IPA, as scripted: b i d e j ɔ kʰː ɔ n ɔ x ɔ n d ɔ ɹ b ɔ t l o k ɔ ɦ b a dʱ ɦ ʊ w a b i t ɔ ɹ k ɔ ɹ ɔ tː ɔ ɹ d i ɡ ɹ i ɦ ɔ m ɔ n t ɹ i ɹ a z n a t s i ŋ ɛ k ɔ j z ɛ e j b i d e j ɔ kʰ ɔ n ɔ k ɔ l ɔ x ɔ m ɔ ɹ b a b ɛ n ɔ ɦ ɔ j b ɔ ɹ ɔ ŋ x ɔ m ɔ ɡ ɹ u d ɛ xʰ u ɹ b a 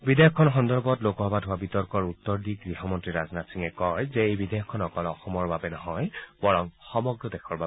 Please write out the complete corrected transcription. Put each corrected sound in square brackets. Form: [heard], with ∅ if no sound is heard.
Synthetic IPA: b i d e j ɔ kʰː ɔ n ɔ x ɔ n d ɔ ɹ b ɔ t l o k ɔ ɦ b a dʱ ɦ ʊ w a b i t ɔ ɹ k ɔ ɹ [u] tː ɔ ɹ d i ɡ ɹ i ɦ ɔ m ɔ n t ɹ i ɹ a z n a t s i ŋ ɛ k ɔ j z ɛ e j b i d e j ɔ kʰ ɔ n ɔ k ɔ l ɔ x ɔ m ɔ ɹ b a b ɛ n ɔ ɦ ɔ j b ɔ ɹ ɔ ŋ x ɔ m ɔ ɡ ɹ [ɔ] d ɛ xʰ [ɔ] ɹ b a

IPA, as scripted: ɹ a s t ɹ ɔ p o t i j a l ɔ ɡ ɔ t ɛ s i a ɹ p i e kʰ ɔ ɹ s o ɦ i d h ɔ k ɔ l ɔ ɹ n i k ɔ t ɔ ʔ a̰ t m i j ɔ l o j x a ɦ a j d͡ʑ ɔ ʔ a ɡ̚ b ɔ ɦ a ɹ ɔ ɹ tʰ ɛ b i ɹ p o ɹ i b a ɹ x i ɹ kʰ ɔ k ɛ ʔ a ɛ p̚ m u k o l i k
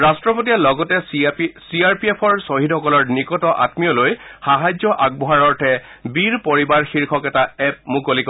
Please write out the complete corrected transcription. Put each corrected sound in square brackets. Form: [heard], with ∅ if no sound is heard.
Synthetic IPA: ɹ a s t ɹ ɔ p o t i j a l ɔ ɡ ɔ t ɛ s i a ɹ p i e [pʰ] ɔ ɹ s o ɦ i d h ɔ k ɔ l ɔ ɹ n i k ɔ t ɔ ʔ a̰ t m i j ɔ l o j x a ɦ a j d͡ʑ ɔ ʔ a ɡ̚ b ɔ ɦ a ɹ ɔ ɹ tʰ ɛ b i ɹ p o ɹ i b a ɹ x i ɹ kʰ ɔ k ɛ [t] a ɛ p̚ m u k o l i k

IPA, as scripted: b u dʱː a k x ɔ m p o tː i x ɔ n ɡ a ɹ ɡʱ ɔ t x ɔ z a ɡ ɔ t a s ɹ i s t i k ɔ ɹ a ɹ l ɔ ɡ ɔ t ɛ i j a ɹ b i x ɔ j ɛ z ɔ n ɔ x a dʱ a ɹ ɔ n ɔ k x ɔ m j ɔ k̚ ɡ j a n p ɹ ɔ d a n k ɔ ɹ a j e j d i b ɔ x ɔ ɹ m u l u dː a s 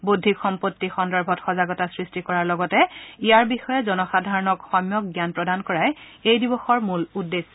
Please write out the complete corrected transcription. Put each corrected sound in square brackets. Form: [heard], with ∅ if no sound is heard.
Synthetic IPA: b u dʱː [i] k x ɔ m p o tː i x ɔ n [d] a ɹ [bʱ] ɔ t x ɔ z a ɡ ɔ t a s ɹ i s t i k ɔ ɹ a ɹ l ɔ ɡ ɔ t ɛ i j a ɹ b i x ɔ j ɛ z ɔ n ɔ x a dʱ a ɹ ɔ n ɔ k x ɔ m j ɔ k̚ ɡ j a n p ɹ ɔ d a n k ɔ ɹ a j e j d i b ɔ x ɔ ɹ m u l u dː [e] s

